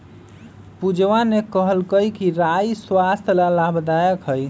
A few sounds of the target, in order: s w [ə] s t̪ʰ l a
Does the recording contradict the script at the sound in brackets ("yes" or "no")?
yes